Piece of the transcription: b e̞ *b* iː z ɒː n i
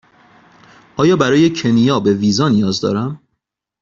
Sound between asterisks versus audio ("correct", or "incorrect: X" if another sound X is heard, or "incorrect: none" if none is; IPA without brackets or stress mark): incorrect: v